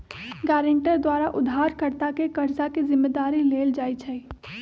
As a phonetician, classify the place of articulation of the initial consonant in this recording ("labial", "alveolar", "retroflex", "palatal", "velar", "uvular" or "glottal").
velar